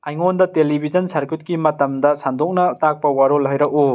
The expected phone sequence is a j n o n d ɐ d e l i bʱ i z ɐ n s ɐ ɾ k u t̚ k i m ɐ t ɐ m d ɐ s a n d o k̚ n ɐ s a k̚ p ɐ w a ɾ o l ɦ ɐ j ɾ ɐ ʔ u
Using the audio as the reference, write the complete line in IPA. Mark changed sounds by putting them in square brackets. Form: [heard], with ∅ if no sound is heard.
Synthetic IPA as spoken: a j [ŋ] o n d ɐ [t] e l i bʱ i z ɐ n s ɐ ɾ k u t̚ k i m ɐ t ɐ m d ɐ s a n d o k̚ n ɐ [t] a k̚ p ɐ w a ɾ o l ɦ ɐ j ɾ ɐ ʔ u